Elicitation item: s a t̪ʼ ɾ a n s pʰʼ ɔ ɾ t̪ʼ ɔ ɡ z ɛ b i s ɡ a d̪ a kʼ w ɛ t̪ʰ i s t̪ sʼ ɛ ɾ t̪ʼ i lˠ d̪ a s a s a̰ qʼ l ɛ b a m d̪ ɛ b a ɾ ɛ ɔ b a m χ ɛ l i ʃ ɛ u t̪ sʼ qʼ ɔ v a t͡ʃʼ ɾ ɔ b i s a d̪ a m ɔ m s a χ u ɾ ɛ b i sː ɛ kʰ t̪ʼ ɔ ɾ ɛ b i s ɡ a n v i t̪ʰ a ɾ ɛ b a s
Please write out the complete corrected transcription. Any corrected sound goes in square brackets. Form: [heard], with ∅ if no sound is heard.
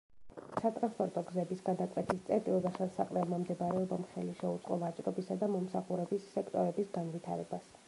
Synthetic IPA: s a t̪ʼ ɾ a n s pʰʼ ɔ ɾ t̪ʼ ɔ ɡ z ɛ b i s ɡ a d̪ a kʼ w ɛ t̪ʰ i s t̪ sʼ ɛ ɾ t̪ʼ i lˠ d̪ a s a s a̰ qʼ l ɛ [m] a m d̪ ɛ b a ɾ ɛ ɔ b a m χ ɛ l i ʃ ɛ u t̪ sʼ qʼ ɔ v a t͡ʃʼ ɾ ɔ b i s a d̪ a m ɔ m s a χ u ɾ ɛ b i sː ɛ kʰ t̪ʼ ɔ ɾ ɛ b i s ɡ a n v i t̪ʰ a ɾ ɛ b a s

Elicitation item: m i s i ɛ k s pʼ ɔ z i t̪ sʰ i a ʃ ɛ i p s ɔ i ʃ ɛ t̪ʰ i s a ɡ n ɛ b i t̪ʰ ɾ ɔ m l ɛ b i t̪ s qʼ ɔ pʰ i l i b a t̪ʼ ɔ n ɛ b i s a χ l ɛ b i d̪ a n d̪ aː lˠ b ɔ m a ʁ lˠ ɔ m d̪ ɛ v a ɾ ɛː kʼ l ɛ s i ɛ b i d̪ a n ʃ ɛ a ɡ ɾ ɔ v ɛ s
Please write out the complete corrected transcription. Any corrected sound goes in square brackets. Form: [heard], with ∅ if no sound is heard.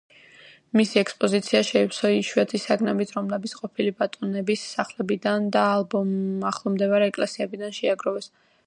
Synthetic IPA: m i s i ɛ k s pʼ ɔ z i t̪ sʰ i a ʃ ɛ i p s ɔ i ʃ ɛ t̪ʰ i s a ɡ n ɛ b i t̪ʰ ɾ ɔ m l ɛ b i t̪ s qʼ ɔ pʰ i l i b a t̪ʼ ɔ n ɛ b i s a χ l ɛ b i d̪ a n d̪ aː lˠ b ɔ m a [χ] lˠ ɔ m d̪ ɛ v a ɾ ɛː kʼ l ɛ s i ɛ b i d̪ a n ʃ ɛ a ɡ ɾ ɔ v ɛ s

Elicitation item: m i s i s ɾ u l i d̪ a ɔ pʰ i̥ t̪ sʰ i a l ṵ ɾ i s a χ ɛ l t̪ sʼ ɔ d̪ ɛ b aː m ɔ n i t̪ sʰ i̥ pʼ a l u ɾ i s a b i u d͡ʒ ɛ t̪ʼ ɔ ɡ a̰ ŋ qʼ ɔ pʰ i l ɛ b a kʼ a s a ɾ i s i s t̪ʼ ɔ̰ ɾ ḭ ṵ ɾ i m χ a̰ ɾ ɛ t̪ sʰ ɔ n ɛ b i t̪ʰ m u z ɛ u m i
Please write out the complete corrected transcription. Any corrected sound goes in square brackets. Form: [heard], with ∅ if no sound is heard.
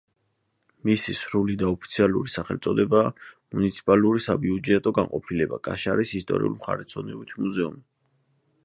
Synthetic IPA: m i s i s ɾ u l i d̪ a ɔ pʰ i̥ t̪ sʰ i a l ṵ ɾ i s a χ ɛ l t̪ sʼ ɔ d̪ ɛ b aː m [u] n i t̪ sʰ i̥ pʼ a l u ɾ i s a b i u d͡ʒ ɛ t̪ʼ ɔ ɡ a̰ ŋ qʼ ɔ pʰ i l ɛ b a kʼ a [ʃ] a ɾ i s i s t̪ʼ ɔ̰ ɾ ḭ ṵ [l] i m χ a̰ ɾ ɛ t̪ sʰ ɔ n ɛ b i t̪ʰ m u z ɛ u m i

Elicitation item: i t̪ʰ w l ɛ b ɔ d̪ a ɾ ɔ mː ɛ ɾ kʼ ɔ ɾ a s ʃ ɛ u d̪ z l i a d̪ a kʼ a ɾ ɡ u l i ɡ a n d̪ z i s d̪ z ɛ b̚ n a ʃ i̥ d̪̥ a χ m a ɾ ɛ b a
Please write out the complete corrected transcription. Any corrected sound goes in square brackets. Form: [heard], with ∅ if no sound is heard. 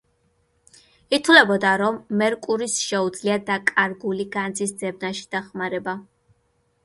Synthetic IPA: i t̪ʰ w l ɛ b ɔ d̪ a ɾ ɔ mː ɛ ɾ kʼ [u] ɾ [i] s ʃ ɛ u d̪ z l i a d̪ a kʼ a ɾ ɡ u l i ɡ a n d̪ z i s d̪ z ɛ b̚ n a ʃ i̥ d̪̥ a χ m a ɾ ɛ b a

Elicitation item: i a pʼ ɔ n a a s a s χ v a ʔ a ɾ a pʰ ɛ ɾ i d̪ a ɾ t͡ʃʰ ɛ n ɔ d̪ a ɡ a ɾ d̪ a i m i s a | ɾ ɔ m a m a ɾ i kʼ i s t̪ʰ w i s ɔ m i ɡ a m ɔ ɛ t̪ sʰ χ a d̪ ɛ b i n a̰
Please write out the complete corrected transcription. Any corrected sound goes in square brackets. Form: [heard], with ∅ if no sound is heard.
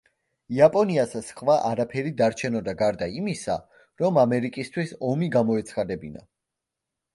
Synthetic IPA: i a pʼ ɔ n [i] a s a s χ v a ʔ a ɾ a pʰ ɛ ɾ i d̪ a ɾ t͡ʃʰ ɛ n ɔ d̪ a ɡ a ɾ d̪ a i m i s a | ɾ ɔ m a m [ɛ] ɾ i kʼ i s t̪ʰ w i s ɔ m i ɡ a m ɔ ɛ t̪ sʰ χ a d̪ ɛ b i n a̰

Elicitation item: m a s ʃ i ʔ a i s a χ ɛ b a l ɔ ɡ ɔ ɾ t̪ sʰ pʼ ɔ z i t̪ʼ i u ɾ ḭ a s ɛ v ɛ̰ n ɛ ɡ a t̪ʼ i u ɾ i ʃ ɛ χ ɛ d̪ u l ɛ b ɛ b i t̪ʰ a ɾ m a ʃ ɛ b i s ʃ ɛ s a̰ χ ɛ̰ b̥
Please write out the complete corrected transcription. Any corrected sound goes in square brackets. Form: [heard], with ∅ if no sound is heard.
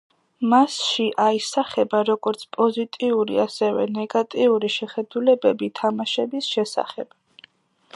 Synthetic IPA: m a s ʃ i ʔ a i s a χ ɛ b a [ɾ] ɔ ɡ ɔ ɾ t̪ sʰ pʼ ɔ z i t̪ʼ i u ɾ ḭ a s ɛ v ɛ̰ n ɛ ɡ a t̪ʼ i u ɾ i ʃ ɛ χ ɛ d̪ u l ɛ b ɛ b i t̪ʰ a [∅] m a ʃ ɛ b i s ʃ ɛ s a̰ χ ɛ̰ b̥

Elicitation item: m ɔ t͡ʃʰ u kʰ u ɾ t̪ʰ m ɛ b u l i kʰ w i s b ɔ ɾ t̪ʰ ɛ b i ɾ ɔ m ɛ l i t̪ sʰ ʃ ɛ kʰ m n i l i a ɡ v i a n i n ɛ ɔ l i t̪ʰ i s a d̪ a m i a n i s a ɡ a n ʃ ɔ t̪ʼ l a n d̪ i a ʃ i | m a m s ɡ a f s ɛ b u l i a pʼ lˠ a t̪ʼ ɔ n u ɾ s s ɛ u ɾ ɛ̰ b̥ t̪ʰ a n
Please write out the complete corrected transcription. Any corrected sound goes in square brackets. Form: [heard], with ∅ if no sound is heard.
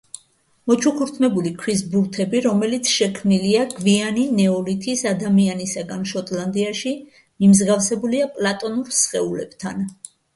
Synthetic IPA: m ɔ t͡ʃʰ u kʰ u ɾ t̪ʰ m ɛ b u l i kʰ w i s b [u] ɾ t̪ʰ ɛ b i ɾ ɔ m ɛ l i t̪ sʰ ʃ ɛ kʰ m n i l i a ɡ v i a n i n ɛ ɔ l i t̪ʰ i s a d̪ a m i a n i s a ɡ a n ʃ ɔ t̪ʼ l a n d̪ i a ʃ i | m [i] m [z] ɡ a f s ɛ b u l i a pʼ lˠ a t̪ʼ ɔ n u ɾ s [χ] ɛ u [l] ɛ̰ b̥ t̪ʰ a n

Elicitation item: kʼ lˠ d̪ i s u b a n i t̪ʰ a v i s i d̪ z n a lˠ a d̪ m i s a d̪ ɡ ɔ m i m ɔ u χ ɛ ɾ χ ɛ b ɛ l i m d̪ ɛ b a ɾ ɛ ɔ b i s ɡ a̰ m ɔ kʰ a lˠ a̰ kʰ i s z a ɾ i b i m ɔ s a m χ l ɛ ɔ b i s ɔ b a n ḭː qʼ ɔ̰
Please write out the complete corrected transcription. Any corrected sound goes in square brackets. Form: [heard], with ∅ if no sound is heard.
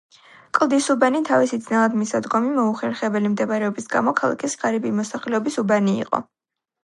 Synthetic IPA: kʼ lˠ d̪ i s u b a n i t̪ʰ a v i s i d̪ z n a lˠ a d̪ m i s a d̪ ɡ ɔ m i m ɔ u χ ɛ ɾ χ ɛ b ɛ l i m d̪ ɛ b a ɾ ɛ ɔ b i s ɡ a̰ m ɔ kʰ a lˠ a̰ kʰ i s [ʁ] a ɾ i b i m ɔ s a [∅] χ l ɛ ɔ b i s [u] b a n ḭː qʼ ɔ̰

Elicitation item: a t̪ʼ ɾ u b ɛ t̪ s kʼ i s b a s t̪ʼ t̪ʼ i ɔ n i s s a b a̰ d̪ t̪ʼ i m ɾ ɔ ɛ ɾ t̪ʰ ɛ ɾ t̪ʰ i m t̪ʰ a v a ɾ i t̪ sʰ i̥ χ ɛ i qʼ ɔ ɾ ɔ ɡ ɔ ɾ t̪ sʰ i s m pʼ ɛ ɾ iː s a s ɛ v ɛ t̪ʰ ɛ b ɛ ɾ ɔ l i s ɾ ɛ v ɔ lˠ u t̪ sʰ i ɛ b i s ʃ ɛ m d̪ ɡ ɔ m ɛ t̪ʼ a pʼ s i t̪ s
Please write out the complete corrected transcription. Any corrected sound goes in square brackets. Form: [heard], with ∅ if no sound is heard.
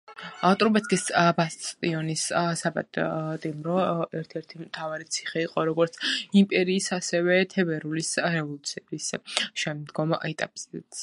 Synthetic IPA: a t̪ʼ ɾ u b ɛ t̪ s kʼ i s b a s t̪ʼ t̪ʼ i ɔ n i s s a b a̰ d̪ t̪ʼ i m ɾ ɔ ɛ ɾ t̪ʰ ɛ ɾ t̪ʰ i m t̪ʰ a v a ɾ i t̪ sʰ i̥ χ ɛ i qʼ ɔ ɾ ɔ ɡ ɔ ɾ t̪ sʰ i [∅] m pʼ ɛ ɾ iː s a s ɛ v ɛ t̪ʰ ɛ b ɛ ɾ [u] l i s ɾ ɛ v ɔ lˠ u t̪ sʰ i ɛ b i s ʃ ɛ m d̪ ɡ ɔ m ɛ t̪ʼ a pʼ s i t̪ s

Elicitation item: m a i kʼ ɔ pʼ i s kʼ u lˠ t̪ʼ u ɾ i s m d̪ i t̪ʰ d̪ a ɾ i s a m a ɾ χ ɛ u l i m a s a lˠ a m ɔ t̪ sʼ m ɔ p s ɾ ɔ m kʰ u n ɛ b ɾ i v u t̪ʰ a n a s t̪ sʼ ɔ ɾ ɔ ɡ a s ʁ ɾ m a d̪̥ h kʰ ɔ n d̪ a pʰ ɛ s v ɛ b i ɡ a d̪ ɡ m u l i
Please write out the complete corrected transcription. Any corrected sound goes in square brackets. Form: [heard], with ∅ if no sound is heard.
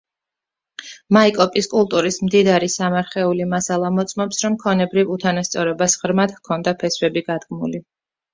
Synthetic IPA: m a i kʼ ɔ pʼ i s kʼ u lˠ t̪ʼ u ɾ i s m d̪ i [∅] d̪ a ɾ i s a m a ɾ χ ɛ u l i m a s a lˠ a m ɔ t̪ sʼ m ɔ p s ɾ ɔ m kʰ [ɔ] n ɛ b ɾ i v u t̪ʰ a n a s t̪ sʼ ɔ ɾ ɔ [b] a s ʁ ɾ m a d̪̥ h kʰ ɔ n d̪ a pʰ ɛ s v ɛ b i ɡ a d̪ ɡ m u l i

